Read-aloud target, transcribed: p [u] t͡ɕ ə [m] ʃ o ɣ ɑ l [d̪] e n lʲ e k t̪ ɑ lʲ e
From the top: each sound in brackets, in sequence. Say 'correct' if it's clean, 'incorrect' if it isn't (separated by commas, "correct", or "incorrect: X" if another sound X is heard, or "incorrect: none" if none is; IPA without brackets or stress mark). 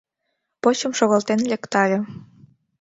incorrect: o, correct, incorrect: t̪